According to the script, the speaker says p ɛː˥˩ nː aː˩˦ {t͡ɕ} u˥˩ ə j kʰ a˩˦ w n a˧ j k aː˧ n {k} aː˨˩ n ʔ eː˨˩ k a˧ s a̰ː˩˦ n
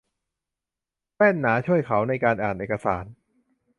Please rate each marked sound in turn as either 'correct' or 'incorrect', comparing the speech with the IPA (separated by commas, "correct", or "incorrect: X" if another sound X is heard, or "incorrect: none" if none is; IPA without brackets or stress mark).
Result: incorrect: t͡ɕʰ, incorrect: ʔ